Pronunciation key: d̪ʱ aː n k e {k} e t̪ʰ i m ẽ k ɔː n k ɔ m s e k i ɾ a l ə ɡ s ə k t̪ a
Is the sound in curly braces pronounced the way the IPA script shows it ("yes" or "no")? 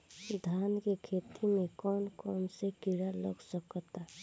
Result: no